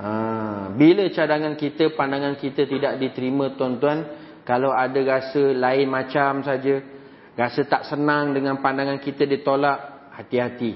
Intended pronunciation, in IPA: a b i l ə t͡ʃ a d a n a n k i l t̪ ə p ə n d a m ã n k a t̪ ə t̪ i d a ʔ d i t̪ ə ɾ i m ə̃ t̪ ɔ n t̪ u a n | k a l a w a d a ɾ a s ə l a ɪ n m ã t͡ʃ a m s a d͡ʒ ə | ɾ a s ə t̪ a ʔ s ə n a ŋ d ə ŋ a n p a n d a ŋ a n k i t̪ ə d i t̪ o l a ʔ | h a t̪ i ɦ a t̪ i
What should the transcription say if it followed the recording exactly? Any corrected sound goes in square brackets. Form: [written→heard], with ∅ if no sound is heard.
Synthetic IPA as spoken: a b i l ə t͡ʃ a d a [n→ŋ] a n k i [l→∅] t̪ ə p [ə→a] n d a [m→ŋ] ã n k [a→i] t̪ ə t̪ i d a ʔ d i t̪ ə ɾ i m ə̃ t̪ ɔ n t̪ u a n | k a l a w a d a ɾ a s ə l a ɪ n m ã t͡ʃ a m s a d͡ʒ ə | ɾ a s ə t̪ a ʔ s ə n a ŋ d ə ŋ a n p a n d a ŋ a n k i t̪ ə d i t̪ o l a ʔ | h a t̪ i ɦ a t̪ i